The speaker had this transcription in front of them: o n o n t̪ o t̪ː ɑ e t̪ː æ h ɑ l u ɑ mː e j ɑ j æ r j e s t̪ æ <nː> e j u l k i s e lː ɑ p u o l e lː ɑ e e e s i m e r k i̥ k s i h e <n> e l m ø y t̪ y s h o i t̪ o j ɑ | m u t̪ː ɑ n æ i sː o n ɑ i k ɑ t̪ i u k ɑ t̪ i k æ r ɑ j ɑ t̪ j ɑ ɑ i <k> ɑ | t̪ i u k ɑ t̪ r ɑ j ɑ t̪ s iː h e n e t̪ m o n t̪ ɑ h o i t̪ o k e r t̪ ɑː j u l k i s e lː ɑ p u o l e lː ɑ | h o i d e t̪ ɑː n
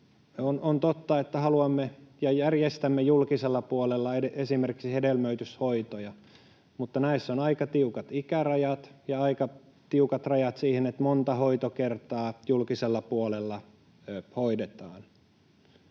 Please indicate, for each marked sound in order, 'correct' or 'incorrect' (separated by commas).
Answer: incorrect, incorrect, correct